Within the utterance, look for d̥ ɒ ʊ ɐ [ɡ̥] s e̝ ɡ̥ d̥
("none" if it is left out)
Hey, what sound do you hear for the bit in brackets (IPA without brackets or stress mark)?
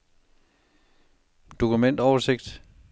none